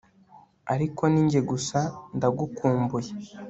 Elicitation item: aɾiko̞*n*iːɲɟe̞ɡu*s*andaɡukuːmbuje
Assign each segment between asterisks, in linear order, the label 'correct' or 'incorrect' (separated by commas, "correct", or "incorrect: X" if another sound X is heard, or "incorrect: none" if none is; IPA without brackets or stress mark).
correct, correct